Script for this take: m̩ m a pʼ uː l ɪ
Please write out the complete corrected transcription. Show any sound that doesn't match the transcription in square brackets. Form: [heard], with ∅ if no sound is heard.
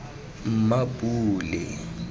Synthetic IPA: m̩ m a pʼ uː l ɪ